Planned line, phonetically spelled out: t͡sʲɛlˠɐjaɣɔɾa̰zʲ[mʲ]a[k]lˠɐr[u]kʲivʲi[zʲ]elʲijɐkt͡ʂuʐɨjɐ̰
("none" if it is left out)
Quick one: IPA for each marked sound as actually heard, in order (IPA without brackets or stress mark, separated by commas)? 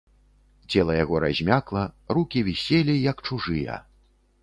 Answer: mʲ, k, u, sʲ